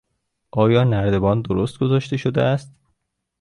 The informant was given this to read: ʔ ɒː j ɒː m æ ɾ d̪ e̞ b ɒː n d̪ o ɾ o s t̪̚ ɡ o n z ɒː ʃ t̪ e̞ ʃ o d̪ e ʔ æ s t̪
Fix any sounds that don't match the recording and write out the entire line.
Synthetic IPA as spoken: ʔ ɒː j ɒː n æ ɾ d̪ e̞ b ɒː n d̪ o ɾ o s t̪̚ ɡ o z ɒː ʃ t̪ e̞ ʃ o d̪ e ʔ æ s t̪

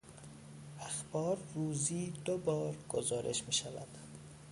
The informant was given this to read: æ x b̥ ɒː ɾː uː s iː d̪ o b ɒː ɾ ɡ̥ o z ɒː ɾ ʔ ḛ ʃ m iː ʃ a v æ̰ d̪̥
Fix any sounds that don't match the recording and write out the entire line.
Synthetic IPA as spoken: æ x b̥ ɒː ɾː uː z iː d̪ o b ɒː ɾ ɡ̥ o z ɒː ɾ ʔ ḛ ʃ m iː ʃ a v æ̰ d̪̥

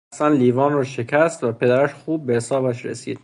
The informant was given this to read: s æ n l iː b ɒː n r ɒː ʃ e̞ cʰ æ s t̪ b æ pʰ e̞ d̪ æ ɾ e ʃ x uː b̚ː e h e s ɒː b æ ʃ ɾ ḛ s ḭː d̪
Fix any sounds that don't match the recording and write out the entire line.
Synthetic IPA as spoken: s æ n l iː v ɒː n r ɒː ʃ e̞ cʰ æ s t̪ v æ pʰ e̞ d̪ æ ɾ æ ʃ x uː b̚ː e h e s ɒː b æ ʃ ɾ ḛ s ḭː d̪

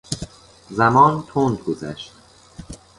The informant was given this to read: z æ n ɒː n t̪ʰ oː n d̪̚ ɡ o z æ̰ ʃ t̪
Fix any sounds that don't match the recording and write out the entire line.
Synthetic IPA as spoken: z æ m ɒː n t̪ʰ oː n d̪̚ ɡ o z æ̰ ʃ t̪

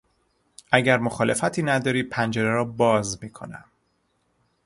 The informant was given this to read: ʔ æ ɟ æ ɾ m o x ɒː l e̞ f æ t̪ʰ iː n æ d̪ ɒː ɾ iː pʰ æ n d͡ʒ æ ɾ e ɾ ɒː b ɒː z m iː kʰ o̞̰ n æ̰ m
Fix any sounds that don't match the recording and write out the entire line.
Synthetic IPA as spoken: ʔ æ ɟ æ ɾ m o x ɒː l e̞ f æ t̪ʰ iː n æ d̪ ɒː ɾ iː pʰ æ n d͡ʒ e ɾ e ɾ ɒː b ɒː z m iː kʰ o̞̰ n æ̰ m

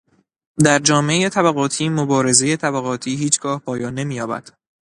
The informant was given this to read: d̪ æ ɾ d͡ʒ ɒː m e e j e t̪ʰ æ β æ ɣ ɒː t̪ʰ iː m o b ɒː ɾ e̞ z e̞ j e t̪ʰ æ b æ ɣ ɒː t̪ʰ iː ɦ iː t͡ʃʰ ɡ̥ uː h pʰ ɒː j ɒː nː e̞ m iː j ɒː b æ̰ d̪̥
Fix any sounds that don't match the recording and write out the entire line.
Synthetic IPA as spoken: d̪ æ ɾ d͡ʒ ɒː m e e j e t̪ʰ æ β æ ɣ ɒː t̪ʰ iː m o b ɒː ɾ e̞ z e̞ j e t̪ʰ æ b æ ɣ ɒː t̪ʰ iː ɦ iː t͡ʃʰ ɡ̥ ɒː h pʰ ɒː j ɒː nː e̞ m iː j ɒː b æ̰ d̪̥

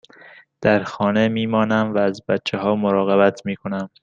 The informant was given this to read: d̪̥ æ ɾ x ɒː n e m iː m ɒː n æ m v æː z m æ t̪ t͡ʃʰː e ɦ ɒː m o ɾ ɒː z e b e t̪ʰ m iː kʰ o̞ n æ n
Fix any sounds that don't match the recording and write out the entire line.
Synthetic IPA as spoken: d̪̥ æ ɾ x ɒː n e m iː m ɒː n æ m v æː z b æ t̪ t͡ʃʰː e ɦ ɒː m o ɾ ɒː ɣ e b æ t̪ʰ m iː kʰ o̞ n æ m

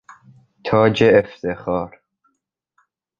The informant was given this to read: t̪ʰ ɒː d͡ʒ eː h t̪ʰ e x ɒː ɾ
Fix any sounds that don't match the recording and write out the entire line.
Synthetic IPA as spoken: t̪ʰ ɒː d͡ʒ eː f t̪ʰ e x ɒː ɾ

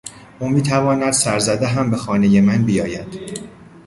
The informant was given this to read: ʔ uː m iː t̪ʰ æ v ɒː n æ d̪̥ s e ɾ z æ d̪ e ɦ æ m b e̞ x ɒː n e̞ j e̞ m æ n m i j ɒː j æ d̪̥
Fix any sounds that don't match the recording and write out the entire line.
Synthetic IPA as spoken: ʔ uː m iː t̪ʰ æ v ɒː n æ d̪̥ s æ ɾ z æ d̪ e ɦ æ m b e̞ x ɒː n e̞ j e̞ m æ n b i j ɒː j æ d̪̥

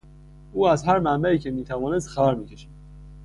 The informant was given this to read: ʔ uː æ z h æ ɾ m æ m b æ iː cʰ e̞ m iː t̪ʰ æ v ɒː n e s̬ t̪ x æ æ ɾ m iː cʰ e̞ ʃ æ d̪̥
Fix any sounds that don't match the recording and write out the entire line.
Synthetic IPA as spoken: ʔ uː æ z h æ ɾ m æ m b æ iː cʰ e̞ m iː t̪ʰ æ v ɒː n e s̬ t̪ x æ æ ɾ m iː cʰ e̞ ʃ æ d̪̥

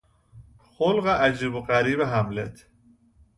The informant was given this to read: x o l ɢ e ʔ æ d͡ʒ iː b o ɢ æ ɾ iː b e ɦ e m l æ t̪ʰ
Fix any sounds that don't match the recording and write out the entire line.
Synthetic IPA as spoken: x o l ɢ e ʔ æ d͡ʒ iː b o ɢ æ ɾ iː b e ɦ æ m l e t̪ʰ

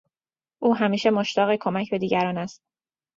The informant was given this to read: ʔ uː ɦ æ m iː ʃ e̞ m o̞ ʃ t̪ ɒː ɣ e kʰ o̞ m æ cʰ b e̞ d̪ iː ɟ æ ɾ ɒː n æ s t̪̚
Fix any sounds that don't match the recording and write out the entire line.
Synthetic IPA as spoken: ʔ uː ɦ æ m iː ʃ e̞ m o̞ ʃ t̪ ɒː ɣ e kʰ o̞ m æ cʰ b e̞ d̪ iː ɟ æ ɾ ɒː n æ s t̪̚

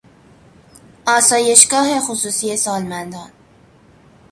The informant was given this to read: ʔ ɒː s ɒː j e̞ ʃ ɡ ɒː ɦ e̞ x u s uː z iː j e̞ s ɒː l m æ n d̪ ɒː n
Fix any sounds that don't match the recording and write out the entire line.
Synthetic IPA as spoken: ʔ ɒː s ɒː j e̞ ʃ ɡ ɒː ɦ e̞ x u s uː s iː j e̞ s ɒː l m æ n d̪ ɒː n

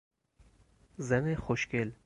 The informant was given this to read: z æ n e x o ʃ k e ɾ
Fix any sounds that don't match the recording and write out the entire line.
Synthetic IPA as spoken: z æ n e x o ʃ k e l

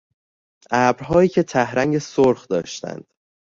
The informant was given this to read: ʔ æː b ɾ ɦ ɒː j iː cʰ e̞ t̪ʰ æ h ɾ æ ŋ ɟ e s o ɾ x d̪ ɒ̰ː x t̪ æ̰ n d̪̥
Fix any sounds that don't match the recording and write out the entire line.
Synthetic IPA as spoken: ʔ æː b ɾ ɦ ɒː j iː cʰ e̞ t̪ʰ æ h ɾ æ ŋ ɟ e s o ɾ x d̪ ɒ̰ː ʃ t̪ æ̰ n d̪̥

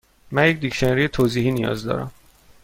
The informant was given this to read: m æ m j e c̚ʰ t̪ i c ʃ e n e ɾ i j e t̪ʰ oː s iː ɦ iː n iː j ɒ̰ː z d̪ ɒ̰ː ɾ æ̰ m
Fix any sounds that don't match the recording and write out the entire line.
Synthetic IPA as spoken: m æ n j e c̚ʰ d̪ i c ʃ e n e ɾ i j e t̪ʰ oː z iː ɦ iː n i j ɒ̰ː z d̪ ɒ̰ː ɾ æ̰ m

